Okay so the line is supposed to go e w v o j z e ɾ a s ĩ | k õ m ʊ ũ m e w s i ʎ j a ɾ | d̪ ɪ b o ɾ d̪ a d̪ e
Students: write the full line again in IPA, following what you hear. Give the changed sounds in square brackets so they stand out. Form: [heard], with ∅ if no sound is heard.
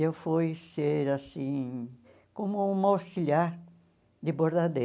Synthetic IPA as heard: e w [f] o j [s] e ɾ a s ĩ | k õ m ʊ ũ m [a] w s i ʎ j a ɾ | d̪ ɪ b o ɾ d̪ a d̪ e